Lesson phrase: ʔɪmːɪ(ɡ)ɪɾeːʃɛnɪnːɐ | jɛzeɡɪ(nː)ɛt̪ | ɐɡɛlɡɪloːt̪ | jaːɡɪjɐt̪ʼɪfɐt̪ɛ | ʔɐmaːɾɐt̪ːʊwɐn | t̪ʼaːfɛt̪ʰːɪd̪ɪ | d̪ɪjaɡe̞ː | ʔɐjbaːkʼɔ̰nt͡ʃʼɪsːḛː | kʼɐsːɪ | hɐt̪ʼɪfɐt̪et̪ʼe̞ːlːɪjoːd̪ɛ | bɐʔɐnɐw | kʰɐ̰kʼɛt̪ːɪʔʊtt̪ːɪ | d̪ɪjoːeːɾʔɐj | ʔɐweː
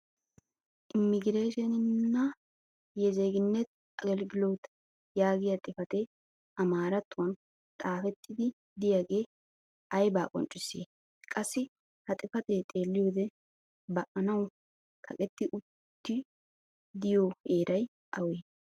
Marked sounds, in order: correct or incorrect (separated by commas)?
correct, correct